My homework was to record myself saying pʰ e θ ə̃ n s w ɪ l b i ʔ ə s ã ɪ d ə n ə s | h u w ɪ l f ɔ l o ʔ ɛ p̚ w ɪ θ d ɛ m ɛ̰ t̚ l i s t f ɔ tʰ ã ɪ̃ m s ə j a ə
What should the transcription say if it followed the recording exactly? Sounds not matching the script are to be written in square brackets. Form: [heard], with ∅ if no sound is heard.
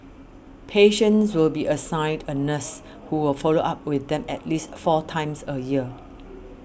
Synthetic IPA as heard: pʰ e [ʃ] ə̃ n s w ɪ l b i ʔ ə s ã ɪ d ə n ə s | h u w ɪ l f ɔ l o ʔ [a] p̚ w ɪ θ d [ɛ̃] m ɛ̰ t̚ l i s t f ɔ tʰ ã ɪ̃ m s ə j [i] ə